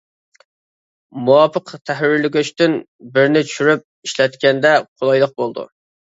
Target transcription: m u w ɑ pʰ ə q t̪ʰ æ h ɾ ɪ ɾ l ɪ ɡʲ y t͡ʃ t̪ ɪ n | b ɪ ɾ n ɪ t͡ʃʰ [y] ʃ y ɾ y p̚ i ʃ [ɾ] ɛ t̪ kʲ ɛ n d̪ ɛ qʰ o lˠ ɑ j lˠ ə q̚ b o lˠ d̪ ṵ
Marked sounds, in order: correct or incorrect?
correct, incorrect

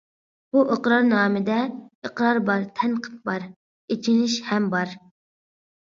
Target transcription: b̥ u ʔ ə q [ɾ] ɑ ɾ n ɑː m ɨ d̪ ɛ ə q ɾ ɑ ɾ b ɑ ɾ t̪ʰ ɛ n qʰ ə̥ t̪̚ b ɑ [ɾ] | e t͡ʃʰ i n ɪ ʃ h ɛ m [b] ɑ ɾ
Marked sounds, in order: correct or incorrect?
correct, correct, correct

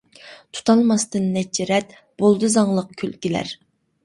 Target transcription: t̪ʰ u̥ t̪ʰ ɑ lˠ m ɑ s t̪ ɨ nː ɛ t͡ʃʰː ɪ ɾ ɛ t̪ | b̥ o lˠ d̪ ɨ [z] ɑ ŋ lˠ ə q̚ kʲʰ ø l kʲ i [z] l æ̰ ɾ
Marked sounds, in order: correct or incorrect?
correct, incorrect

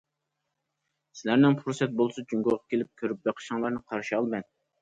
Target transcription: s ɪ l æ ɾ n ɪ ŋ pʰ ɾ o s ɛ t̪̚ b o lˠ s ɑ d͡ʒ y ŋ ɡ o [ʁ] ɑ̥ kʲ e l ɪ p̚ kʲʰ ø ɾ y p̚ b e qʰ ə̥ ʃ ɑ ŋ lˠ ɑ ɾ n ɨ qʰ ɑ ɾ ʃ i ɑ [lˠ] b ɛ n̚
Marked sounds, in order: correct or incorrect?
correct, correct

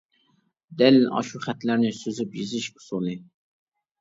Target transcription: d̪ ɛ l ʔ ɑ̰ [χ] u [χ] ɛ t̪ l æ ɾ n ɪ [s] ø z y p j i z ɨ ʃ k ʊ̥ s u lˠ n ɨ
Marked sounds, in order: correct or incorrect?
incorrect, correct, correct

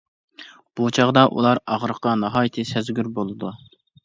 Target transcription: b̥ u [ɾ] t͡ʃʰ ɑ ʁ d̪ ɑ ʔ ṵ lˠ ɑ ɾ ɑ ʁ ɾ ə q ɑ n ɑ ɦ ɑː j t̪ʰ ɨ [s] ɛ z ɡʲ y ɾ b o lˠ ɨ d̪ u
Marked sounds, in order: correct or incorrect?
incorrect, correct

